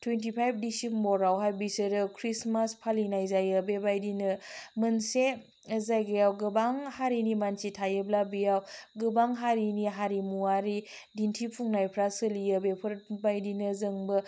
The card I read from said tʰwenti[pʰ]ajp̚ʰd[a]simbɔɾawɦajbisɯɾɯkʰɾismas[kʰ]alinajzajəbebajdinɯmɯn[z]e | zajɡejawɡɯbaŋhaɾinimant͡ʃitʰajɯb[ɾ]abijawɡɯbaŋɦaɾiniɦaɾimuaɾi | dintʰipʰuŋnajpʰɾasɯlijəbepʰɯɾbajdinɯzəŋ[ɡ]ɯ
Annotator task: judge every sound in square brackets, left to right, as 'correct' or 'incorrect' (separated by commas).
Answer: correct, incorrect, incorrect, incorrect, incorrect, incorrect